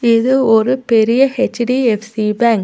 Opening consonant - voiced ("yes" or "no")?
yes